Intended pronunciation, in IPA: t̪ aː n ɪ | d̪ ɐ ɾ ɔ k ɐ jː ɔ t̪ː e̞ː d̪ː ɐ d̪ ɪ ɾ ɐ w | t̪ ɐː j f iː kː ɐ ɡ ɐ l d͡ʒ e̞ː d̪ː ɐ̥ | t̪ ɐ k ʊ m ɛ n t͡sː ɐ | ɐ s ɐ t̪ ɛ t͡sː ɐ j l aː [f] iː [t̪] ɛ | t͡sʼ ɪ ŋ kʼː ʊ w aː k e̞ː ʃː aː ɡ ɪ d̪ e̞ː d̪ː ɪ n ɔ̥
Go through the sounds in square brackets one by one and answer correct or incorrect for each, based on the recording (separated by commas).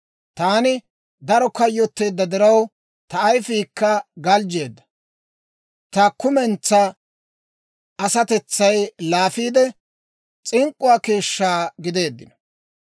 correct, incorrect